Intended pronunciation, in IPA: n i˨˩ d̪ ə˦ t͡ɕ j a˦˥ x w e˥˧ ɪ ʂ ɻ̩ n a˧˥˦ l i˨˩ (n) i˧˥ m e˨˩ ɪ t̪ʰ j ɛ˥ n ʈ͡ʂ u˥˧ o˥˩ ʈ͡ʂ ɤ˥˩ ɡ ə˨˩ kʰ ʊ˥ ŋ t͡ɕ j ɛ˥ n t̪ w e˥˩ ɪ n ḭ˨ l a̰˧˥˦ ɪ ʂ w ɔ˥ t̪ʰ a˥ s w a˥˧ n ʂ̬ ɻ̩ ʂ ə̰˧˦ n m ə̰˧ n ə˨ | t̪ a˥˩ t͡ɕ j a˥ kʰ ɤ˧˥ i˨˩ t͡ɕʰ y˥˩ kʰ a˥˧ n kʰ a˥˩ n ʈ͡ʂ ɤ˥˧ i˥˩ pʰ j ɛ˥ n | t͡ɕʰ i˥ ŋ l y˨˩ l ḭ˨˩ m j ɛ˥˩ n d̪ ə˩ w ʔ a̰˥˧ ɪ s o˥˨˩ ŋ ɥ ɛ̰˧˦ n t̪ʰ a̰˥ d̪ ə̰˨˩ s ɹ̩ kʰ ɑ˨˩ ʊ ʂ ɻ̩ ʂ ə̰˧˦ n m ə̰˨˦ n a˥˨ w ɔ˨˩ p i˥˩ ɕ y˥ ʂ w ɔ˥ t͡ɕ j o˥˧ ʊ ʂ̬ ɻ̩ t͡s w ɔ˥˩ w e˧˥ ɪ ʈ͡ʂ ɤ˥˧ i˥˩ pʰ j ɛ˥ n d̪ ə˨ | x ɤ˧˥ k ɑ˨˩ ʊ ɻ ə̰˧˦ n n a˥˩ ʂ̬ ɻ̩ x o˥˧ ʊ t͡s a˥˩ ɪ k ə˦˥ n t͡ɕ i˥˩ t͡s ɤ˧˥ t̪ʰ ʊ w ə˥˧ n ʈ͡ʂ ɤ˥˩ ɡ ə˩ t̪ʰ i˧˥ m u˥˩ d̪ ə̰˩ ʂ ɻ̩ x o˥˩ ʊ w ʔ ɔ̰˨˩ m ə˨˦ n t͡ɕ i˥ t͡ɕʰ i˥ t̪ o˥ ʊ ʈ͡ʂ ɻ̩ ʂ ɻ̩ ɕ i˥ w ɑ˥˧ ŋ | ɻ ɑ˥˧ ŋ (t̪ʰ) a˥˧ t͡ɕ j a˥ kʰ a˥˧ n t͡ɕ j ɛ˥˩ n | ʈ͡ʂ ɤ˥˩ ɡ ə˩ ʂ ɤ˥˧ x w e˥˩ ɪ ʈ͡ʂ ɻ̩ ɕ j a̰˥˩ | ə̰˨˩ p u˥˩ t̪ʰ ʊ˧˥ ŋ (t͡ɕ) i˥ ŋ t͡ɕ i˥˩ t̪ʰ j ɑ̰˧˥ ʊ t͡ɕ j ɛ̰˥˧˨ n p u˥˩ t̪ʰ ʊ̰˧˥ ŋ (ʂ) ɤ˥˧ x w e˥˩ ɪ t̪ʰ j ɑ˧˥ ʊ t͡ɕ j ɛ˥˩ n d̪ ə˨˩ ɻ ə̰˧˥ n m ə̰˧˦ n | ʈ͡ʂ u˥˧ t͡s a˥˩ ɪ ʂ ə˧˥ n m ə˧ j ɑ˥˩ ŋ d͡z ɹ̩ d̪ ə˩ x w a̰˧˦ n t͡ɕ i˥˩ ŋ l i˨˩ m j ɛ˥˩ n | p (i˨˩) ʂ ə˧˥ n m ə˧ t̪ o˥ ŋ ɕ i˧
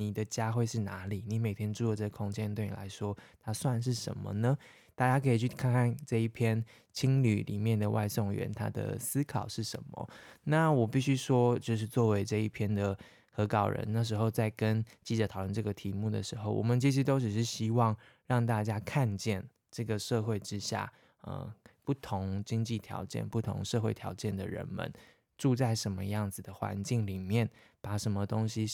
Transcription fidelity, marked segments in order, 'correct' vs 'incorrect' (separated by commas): correct, incorrect, correct, correct, incorrect